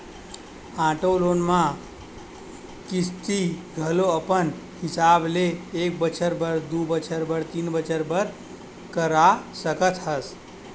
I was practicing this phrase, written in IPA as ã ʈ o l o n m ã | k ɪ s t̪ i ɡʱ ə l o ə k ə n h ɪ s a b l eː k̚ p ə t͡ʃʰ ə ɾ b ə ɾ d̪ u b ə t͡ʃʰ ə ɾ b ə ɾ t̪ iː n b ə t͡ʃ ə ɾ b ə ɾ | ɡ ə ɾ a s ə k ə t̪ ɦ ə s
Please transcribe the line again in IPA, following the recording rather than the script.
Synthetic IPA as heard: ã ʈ o l o n m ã | k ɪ s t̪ i ɡʱ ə l o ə p ə n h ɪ s a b l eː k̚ b ə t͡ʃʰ ə ɾ b ə ɾ d̪ u b ə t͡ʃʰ ə ɾ b ə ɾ t̪ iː n b ə t͡ʃ ə ɾ b ə ɾ | k ə ɾ a s ə k ə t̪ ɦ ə s